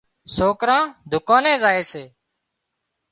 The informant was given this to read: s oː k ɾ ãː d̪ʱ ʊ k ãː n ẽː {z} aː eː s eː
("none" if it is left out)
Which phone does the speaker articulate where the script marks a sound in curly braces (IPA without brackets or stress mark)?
z